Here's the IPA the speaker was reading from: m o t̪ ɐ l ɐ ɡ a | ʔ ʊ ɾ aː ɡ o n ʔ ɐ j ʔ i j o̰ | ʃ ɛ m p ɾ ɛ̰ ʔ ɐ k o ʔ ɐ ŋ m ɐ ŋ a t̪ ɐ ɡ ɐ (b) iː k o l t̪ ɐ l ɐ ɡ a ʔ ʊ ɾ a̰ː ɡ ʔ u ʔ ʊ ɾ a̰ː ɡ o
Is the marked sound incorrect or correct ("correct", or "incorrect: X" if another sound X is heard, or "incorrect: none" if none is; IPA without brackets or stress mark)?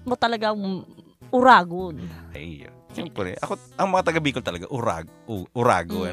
correct